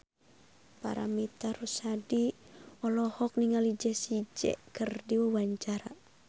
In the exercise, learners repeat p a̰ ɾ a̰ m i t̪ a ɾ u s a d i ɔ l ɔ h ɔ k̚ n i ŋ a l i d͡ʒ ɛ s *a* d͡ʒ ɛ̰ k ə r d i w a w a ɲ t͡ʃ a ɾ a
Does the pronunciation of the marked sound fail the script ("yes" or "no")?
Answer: yes